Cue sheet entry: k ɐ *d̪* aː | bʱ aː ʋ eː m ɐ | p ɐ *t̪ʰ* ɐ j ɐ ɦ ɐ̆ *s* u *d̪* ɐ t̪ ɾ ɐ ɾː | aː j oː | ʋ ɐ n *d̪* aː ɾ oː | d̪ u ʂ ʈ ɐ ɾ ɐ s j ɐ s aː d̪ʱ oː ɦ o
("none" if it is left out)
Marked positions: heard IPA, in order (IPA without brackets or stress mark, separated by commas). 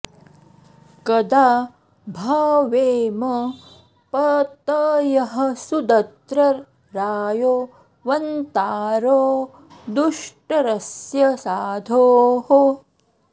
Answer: d̪, t̪, s, d̪, t̪